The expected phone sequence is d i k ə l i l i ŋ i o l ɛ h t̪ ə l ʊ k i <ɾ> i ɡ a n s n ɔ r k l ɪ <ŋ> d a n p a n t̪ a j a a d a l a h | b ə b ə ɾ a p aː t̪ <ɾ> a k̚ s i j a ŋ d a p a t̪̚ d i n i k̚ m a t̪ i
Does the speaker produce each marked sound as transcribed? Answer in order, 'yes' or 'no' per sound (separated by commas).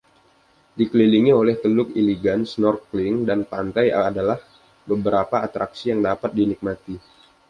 no, yes, yes